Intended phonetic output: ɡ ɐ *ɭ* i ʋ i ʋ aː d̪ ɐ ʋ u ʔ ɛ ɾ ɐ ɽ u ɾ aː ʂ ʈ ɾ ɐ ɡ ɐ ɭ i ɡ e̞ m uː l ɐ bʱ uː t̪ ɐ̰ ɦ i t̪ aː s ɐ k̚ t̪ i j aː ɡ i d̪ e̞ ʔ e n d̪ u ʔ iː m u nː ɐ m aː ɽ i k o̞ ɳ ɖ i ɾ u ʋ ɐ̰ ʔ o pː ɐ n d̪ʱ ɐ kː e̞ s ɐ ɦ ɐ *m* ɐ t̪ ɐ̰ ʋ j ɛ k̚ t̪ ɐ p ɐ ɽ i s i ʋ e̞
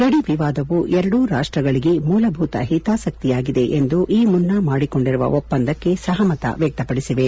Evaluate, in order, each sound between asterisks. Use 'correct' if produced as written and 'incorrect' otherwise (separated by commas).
incorrect, correct